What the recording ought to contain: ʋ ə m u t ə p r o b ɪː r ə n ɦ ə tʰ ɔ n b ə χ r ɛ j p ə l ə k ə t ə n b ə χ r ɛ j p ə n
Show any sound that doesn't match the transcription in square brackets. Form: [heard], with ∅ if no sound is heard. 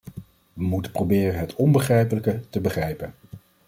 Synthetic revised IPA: ʋ ə m u t ə p r o b ɪː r ə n ɦ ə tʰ ɔ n b ə χ r ɛ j p ə l ə k ə t ə [∅] b ə χ r ɛ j p ə n